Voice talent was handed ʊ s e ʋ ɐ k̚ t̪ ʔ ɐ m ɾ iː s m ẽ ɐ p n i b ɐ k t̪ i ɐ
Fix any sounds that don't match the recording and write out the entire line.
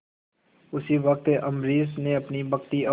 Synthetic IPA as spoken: ʊ s i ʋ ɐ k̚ t̪ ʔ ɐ m ɾ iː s n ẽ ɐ p n i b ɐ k t̪ i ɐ

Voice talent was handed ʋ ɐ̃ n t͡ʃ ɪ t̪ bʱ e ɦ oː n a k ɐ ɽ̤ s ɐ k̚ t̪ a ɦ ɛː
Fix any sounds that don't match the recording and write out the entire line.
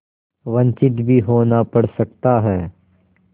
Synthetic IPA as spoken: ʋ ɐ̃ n t͡ʃ ɪ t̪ bʱ i ɦ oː n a p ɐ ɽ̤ s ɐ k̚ t̪ a ɦ ɛː

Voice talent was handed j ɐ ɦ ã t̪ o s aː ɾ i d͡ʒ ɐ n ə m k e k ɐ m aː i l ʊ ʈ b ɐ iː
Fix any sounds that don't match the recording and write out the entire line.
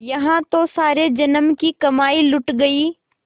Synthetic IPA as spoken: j ɐ ɦ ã t̪ o s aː ɾ e d͡ʒ ɐ n ə m k i k ɐ m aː i l ʊ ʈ ɡ ɐ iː

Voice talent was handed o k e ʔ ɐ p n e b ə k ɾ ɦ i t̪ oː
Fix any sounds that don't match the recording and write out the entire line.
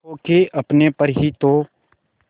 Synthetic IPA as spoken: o k e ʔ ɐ p n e p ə ɾ ɦ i t̪ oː

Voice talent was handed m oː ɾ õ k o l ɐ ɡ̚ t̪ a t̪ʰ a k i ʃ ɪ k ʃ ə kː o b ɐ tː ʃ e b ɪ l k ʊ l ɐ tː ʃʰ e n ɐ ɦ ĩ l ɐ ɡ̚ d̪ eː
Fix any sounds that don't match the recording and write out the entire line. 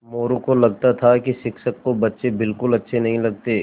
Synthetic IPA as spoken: m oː ɾ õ k o l ɐ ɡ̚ t̪ a t̪ʰ a k i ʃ ɪ k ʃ ə kː o b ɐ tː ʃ e b ɪ l k ʊ l ɐ tː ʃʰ e n ɐ ɦ ĩ l ɐ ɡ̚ t̪ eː

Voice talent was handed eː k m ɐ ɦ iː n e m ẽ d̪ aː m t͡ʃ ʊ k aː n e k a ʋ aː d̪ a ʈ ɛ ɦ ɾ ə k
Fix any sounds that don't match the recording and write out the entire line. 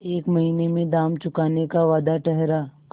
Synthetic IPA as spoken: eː k m ɐ ɦ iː n e m ẽ d̪ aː m t͡ʃ ʊ k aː n e k a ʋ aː d̪ a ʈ ɛ ɦ ɾ a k

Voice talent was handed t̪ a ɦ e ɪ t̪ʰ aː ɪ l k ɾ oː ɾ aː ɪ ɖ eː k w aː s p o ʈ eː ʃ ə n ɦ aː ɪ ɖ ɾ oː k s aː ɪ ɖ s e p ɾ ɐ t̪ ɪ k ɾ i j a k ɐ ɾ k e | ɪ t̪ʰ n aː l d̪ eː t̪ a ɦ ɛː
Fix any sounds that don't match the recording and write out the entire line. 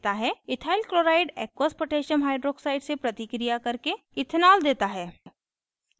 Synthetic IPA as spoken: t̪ a ɦ ɛ ɪ t̪ʰ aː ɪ l k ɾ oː ɾ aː ɪ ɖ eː k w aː s p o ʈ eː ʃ ə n ɦ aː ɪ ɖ ɾ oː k s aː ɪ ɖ s e p ɾ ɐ t̪ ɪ k ɾ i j a k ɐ ɾ k e | ɪ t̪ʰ n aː l d̪ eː t̪ a ɦ ɛː

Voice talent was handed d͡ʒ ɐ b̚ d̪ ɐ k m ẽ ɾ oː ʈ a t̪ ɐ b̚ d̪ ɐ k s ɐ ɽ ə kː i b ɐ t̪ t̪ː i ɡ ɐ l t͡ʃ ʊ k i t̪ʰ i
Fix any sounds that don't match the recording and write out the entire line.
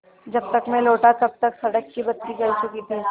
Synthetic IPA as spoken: d͡ʒ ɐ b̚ t̪ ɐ k m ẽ l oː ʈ a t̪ ɐ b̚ t̪ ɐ k s ɐ ɽ ə kː i b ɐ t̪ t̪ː i ɡ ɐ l t͡ʃ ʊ k i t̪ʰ i

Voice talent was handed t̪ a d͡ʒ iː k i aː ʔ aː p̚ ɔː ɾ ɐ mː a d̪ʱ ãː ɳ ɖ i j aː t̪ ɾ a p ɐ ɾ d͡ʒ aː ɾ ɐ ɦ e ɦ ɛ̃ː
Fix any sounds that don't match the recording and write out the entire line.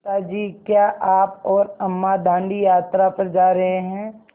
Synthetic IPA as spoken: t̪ a d͡ʒ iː k j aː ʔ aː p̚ ɔː ɾ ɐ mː a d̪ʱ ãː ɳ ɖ i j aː t̪ ɾ a p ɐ ɾ d͡ʒ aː ɾ ɐ ɦ e ɦ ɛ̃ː

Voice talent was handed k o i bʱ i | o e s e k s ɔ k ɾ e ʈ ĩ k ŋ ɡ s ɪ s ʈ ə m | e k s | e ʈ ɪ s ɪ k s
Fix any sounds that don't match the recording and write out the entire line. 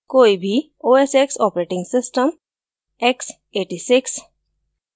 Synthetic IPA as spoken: k o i bʱ i | o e s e k s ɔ p ɾ e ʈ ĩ ŋ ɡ s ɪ s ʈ ə m | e k s | e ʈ i s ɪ k s

